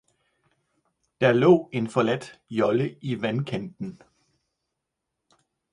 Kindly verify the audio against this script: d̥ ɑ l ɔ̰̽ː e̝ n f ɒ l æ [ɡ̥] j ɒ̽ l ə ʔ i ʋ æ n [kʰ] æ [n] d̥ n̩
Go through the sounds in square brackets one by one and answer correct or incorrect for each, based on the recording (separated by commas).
incorrect, correct, correct